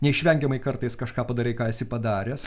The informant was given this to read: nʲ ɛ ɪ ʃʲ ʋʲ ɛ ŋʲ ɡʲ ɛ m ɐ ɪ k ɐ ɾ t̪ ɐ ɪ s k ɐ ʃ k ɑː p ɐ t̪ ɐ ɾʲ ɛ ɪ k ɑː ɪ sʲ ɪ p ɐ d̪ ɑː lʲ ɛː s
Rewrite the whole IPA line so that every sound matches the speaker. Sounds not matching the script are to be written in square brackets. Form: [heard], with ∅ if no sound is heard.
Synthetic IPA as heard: nʲ ɛ ɪ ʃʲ ʋʲ ɛ ŋʲ ɡʲ ɛ m ɐ ɪ k ɐ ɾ t̪ ɐ ɪ s k ɐ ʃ k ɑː p ɐ [d̪] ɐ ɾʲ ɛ ɪ k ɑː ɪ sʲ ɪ p ɐ d̪ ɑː [ɾʲ] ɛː s